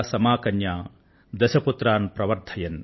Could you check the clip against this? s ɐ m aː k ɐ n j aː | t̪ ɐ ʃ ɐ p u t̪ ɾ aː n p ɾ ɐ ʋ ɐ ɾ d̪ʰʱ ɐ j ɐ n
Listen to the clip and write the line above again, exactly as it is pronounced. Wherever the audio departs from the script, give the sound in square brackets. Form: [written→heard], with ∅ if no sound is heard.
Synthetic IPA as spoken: s ɐ m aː k ɐ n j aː | [t̪→d̪] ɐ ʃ ɐ p u t̪ ɾ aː n p ɾ ɐ ʋ ɐ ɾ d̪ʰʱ ɐ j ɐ n